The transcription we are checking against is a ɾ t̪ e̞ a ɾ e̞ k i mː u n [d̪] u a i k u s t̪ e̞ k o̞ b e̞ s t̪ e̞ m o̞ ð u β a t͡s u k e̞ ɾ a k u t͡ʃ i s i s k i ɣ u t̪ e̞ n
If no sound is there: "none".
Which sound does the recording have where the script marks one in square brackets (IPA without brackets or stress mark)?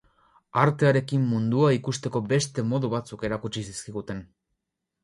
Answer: d̪